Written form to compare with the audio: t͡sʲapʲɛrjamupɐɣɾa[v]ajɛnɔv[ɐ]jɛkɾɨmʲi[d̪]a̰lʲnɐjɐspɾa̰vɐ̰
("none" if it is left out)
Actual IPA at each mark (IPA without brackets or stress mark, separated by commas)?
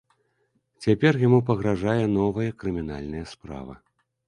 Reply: ʐ, ɐ, n̪